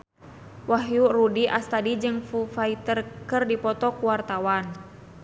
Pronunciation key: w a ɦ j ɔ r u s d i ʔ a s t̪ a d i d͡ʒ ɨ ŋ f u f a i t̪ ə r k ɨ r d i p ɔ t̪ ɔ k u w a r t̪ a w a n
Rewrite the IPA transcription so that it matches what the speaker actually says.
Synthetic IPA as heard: w a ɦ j u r u d i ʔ a s t̪ a d i d͡ʒ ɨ ŋ f u f a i t̪ ə r k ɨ r d i p ɔ t̪ ɔ k u w a r t̪ a w a n